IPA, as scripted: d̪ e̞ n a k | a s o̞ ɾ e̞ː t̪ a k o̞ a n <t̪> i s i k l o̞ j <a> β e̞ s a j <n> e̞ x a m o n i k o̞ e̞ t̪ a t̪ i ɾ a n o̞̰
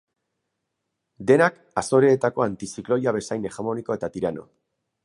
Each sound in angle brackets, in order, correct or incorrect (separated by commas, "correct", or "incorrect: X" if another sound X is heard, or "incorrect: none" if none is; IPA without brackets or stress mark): correct, correct, correct